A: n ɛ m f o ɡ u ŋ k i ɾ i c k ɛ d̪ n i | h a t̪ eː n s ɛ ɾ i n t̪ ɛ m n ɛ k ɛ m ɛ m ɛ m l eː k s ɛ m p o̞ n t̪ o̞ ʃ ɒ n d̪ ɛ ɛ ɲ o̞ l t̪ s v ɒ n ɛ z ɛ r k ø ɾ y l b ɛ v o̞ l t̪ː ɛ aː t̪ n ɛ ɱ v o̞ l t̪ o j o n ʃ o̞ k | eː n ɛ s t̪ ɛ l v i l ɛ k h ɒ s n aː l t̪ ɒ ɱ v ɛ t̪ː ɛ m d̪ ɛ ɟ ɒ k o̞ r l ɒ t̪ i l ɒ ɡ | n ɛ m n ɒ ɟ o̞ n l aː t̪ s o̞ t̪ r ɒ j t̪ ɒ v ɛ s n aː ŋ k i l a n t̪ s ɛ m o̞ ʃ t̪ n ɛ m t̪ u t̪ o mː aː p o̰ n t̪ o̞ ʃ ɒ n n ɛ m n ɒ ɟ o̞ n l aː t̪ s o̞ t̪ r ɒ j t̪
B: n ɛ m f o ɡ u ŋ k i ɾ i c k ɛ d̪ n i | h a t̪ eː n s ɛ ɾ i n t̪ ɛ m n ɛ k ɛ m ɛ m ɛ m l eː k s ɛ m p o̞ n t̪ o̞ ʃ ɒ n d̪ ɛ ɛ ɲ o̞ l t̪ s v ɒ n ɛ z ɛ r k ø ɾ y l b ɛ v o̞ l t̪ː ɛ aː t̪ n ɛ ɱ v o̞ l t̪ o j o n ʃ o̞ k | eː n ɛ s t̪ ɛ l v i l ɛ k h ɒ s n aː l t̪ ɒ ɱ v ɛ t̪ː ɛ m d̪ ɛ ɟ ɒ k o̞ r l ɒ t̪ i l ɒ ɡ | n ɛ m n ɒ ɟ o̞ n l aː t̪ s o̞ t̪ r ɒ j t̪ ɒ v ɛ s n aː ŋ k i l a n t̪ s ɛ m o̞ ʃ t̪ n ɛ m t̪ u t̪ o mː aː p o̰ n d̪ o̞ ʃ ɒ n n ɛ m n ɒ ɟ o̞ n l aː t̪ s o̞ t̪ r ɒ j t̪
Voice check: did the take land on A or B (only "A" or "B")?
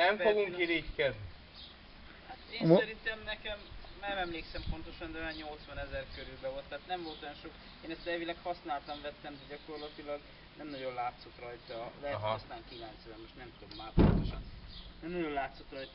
A